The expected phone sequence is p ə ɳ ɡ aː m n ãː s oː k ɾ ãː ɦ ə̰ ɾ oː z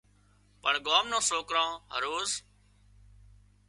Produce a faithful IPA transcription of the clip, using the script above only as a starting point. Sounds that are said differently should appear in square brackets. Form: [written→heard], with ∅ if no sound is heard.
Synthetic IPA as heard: p ə ɳ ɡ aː m n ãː s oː k ɾ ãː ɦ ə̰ ɾ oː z